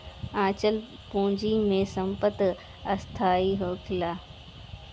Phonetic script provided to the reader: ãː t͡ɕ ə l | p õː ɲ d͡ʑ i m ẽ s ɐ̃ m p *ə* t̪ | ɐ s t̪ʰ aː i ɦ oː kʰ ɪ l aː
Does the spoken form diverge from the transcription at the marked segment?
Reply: no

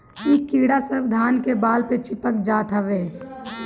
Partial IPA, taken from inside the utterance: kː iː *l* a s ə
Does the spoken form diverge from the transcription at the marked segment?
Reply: yes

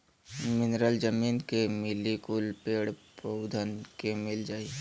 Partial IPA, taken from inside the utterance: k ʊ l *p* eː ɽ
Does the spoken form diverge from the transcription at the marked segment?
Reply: no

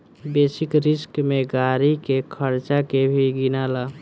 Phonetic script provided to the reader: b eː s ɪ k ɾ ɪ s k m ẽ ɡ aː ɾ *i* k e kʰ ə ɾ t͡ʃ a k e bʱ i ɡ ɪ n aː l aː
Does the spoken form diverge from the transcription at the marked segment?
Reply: no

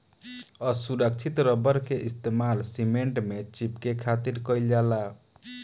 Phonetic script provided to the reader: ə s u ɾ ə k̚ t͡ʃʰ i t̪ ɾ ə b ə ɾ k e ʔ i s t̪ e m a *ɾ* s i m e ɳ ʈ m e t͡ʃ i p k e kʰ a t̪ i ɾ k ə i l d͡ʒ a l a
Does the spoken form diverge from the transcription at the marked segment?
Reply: yes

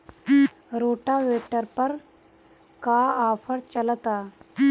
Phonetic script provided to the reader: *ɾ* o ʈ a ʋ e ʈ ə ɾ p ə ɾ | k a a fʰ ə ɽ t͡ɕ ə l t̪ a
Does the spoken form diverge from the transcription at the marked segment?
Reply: no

